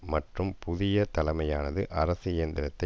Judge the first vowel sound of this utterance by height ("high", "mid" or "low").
low